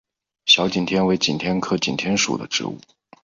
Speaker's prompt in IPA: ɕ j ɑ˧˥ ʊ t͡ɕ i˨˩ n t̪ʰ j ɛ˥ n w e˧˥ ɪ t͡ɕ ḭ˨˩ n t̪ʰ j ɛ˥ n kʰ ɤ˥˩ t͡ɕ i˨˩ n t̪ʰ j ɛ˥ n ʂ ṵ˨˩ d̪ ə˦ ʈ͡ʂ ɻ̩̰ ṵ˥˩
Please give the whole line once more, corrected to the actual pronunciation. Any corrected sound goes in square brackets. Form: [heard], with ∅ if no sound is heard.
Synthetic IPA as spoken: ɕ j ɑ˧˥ ʊ t͡ɕ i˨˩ n t̪ʰ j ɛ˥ n w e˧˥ ɪ t͡ɕ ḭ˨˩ n t̪ʰ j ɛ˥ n kʰ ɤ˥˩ t͡ɕ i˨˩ n t̪ʰ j ɛ˥ n ʂ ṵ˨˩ d̪ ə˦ ʈ͡ʂ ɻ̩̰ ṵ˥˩